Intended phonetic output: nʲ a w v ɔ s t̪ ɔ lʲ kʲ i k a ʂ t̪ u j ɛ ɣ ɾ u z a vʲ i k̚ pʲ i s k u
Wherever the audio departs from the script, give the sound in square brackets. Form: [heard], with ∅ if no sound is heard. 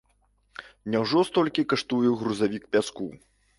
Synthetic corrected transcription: nʲ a w [ʐ] ɔ s t̪ ɔ lʲ kʲ i k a ʂ t̪ u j ɛ ɣ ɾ u z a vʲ i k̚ pʲ [a] s k u